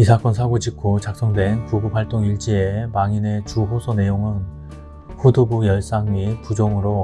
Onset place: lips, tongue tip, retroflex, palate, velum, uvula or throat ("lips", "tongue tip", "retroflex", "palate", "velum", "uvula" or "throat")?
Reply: tongue tip